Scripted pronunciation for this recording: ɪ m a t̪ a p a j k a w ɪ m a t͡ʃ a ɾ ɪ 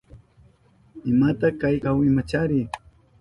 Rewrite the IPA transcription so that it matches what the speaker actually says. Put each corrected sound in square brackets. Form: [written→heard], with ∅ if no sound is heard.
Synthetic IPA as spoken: ɪ m a t̪ a [p→k] a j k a w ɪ m a t͡ʃ a ɾ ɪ